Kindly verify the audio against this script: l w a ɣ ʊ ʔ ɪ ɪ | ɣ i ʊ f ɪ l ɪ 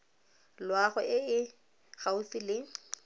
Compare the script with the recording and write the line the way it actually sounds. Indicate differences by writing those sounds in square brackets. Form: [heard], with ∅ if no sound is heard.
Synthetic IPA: l w a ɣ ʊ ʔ ɪ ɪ | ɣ [a] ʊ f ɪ l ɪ